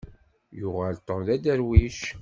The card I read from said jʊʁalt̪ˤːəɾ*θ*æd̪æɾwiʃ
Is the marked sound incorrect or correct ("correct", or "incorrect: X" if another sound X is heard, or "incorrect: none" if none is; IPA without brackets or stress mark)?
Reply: incorrect: ð